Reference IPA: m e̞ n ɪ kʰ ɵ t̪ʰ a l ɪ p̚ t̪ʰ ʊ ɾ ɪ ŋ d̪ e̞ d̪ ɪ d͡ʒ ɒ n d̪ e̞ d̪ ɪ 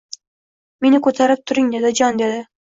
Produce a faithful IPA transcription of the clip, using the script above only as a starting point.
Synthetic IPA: m e̞ n ɪ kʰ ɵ t̪ʰ a ɾ ɪ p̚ t̪ʰ ʊ ɾ ɪ ŋ d̪ e̞ d̪ ɪ d͡ʒ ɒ n d̪ e̞ d̪ ɪ